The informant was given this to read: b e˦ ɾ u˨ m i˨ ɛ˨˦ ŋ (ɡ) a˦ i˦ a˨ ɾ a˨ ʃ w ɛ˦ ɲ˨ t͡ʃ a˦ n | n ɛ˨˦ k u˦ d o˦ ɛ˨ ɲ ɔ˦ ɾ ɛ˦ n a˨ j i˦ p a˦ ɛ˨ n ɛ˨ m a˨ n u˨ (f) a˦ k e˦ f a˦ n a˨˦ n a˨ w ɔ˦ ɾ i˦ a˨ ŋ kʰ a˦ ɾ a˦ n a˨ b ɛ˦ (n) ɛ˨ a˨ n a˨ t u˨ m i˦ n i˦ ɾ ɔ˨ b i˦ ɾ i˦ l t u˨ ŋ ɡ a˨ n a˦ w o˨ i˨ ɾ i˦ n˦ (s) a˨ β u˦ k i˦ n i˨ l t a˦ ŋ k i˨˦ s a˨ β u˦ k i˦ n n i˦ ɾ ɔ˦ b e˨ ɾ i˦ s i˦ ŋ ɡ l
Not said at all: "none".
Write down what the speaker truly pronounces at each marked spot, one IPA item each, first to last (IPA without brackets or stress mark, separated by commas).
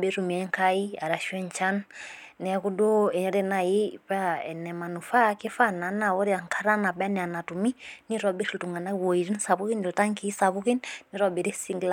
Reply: k, f, n, s